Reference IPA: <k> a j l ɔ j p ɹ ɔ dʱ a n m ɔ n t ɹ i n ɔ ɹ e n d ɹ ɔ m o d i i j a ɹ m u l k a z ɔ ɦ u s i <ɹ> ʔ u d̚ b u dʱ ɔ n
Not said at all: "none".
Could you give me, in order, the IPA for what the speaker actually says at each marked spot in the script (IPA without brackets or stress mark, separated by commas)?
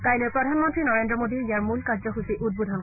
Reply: k, none